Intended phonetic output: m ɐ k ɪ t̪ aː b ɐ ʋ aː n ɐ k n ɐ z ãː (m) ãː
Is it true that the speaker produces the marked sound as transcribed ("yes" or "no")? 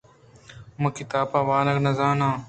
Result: no